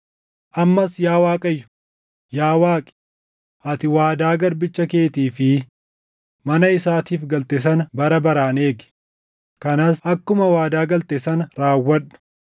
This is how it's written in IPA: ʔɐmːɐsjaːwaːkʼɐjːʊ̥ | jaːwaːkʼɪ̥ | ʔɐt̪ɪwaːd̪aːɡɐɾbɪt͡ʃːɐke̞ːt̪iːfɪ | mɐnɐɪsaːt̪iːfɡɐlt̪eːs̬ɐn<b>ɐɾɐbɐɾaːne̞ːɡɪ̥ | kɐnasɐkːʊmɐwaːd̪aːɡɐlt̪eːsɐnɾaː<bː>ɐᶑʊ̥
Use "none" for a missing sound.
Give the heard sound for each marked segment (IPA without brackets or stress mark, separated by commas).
b, wː